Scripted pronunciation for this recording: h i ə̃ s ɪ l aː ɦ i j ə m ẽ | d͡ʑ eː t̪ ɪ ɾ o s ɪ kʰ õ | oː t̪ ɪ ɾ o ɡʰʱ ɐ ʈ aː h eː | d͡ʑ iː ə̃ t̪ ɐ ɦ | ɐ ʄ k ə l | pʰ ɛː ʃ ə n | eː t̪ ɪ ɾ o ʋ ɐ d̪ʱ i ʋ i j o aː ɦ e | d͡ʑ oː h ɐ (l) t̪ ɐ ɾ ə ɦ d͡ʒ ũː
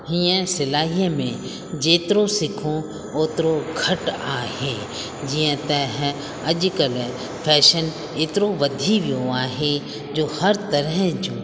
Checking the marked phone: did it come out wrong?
yes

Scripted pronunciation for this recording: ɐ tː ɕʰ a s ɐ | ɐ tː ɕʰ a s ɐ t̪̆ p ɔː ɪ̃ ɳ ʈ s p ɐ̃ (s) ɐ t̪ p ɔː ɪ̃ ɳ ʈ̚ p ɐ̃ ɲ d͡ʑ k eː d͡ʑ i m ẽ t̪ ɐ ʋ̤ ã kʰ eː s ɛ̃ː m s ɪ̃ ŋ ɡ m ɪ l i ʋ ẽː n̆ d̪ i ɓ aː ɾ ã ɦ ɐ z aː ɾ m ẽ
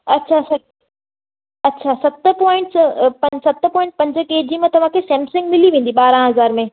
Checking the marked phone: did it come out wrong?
no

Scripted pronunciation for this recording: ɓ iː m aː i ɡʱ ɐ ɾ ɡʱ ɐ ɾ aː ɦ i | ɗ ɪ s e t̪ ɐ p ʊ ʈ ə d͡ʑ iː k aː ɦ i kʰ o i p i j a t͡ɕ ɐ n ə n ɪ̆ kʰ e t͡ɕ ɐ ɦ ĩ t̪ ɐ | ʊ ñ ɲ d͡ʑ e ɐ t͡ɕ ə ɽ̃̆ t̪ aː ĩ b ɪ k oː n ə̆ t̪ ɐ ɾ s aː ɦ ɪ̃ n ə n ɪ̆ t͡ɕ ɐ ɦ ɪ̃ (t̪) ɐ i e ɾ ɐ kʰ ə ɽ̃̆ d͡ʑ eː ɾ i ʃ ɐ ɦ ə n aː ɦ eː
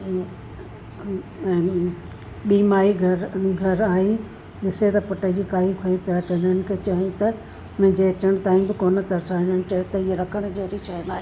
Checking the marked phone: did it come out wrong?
no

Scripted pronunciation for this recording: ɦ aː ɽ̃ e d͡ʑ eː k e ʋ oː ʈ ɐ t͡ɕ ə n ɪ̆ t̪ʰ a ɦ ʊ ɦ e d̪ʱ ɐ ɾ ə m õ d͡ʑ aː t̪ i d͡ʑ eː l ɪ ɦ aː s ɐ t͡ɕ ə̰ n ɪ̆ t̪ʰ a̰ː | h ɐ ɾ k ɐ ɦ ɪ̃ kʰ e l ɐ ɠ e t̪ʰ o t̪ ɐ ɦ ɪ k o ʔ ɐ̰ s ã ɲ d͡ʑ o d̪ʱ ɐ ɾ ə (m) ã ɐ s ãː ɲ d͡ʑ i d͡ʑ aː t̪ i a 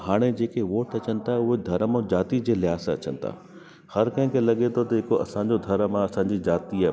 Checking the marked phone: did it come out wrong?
no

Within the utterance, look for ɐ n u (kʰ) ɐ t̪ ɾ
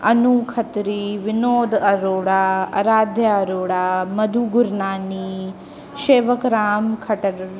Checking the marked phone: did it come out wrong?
no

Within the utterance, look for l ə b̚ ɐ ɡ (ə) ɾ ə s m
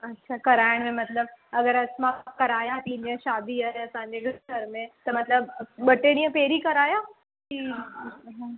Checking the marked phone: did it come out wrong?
no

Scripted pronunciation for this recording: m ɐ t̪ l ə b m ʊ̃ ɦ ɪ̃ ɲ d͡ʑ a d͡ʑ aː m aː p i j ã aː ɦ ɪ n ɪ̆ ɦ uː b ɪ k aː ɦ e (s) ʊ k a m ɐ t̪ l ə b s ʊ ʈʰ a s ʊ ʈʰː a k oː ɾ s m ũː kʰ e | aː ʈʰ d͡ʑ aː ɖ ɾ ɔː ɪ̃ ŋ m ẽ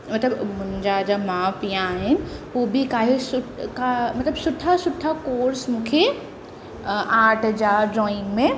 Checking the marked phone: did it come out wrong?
no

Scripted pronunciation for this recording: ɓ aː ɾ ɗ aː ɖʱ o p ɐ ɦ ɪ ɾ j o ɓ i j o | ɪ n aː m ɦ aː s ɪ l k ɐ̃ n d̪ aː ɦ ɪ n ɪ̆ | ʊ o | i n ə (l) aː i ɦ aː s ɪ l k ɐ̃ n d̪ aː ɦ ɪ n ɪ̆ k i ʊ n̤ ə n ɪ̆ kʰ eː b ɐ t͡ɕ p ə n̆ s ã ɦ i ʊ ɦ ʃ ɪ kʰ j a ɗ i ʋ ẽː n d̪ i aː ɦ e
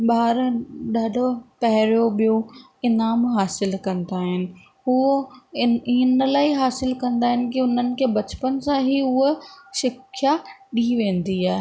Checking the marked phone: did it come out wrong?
no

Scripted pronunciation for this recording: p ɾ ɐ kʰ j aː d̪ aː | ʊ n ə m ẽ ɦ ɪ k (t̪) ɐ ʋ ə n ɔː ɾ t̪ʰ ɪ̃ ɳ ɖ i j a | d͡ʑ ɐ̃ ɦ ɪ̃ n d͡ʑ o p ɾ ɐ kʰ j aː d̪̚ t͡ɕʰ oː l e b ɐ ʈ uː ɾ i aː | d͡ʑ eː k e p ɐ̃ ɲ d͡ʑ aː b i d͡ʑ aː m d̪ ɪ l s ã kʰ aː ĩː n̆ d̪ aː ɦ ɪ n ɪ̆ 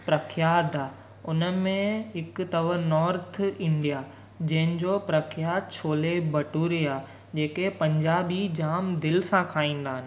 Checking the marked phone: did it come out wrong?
no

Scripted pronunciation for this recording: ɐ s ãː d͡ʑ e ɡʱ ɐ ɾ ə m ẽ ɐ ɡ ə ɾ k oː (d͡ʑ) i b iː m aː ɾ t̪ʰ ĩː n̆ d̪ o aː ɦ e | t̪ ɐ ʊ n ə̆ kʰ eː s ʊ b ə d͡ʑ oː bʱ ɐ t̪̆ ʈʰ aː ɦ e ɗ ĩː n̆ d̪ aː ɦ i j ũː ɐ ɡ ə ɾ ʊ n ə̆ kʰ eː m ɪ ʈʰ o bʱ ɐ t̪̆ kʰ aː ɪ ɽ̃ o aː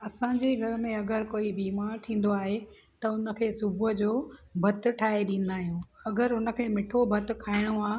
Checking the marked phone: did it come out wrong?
yes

